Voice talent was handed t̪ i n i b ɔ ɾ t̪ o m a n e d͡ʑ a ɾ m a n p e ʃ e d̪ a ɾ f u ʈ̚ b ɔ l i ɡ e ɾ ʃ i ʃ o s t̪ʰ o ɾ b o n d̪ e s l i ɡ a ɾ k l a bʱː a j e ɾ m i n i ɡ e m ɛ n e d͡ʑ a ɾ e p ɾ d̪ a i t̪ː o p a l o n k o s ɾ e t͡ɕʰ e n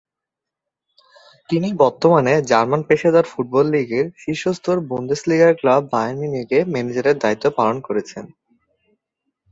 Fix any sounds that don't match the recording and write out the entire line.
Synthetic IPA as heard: t̪ i n i b ɔ ɾ t̪ o m a n e d͡ʑ a ɾ m a n p e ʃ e d̪ a ɾ f u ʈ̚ b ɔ lː i ɡ e ɾ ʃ i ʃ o s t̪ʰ o ɾ b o n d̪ e s l i ɡ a ɾ k l a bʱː a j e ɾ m i n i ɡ e m ɛ n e d͡ʑ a ɾ e ɾ d̪ a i t̪ː o p a l o n k o ɾ e t͡ɕʰ e n